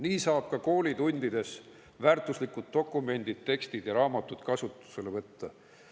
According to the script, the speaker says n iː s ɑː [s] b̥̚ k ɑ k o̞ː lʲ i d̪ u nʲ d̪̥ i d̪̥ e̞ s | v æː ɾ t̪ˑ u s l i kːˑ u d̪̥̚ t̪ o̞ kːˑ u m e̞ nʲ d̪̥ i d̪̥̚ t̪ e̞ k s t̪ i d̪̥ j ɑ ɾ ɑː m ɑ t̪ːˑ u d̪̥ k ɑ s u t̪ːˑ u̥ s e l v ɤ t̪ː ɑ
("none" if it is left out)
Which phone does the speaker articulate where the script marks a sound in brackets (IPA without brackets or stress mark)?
none